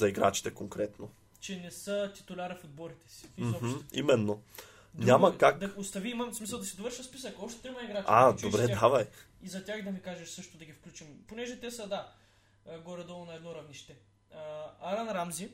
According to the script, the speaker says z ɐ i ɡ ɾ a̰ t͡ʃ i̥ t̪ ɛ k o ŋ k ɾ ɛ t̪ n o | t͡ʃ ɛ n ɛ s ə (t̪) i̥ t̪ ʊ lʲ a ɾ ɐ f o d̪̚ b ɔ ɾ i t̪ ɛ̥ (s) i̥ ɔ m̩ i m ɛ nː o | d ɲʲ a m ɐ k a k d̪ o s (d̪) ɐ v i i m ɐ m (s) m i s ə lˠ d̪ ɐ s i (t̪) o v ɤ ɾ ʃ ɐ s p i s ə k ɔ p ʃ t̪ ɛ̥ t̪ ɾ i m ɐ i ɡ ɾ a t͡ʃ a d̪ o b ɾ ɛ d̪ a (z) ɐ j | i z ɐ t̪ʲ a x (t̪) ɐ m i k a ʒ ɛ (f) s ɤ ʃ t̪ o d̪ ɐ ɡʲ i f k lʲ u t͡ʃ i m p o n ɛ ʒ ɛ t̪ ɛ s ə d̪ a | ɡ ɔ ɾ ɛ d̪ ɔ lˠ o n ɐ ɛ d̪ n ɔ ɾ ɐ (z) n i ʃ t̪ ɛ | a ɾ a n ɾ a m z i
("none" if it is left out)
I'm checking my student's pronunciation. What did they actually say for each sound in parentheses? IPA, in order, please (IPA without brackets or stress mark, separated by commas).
t̪, s, t̪, s, d̪, v, d̪, ʃ, v